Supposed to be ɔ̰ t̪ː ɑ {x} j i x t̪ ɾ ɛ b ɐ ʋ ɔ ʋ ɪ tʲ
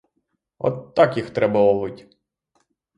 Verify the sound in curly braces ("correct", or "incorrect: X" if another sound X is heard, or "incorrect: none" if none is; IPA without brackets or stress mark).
incorrect: k